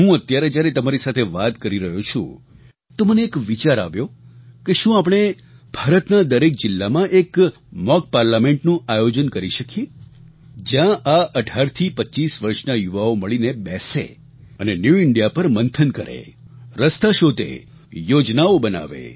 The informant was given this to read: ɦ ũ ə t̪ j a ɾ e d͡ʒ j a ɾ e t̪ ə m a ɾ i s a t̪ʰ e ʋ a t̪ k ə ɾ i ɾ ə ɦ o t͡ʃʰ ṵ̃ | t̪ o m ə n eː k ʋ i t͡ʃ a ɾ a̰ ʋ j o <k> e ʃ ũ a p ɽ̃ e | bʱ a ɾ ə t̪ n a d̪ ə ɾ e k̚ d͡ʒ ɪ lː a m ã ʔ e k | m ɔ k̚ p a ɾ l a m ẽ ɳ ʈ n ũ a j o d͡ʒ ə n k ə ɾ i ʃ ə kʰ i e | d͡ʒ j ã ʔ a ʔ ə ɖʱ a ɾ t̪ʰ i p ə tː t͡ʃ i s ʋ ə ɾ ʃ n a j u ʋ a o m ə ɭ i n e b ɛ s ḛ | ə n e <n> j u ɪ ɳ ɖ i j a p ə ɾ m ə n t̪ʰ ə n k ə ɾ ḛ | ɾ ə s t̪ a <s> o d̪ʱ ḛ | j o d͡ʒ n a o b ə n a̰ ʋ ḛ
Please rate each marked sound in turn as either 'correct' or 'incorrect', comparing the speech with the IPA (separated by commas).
correct, correct, incorrect